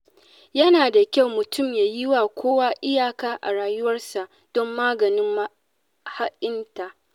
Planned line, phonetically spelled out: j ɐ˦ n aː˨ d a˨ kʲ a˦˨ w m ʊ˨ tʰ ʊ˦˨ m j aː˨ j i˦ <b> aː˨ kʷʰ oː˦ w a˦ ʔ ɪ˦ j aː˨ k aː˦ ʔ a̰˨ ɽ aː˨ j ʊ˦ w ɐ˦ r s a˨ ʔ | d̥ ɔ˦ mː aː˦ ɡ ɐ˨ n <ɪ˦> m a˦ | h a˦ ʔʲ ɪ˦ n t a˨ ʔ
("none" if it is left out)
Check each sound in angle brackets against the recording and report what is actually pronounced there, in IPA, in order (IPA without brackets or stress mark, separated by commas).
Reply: w, ɪ˦